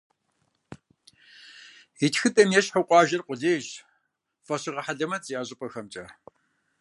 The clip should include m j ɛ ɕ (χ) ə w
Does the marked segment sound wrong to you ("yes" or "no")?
yes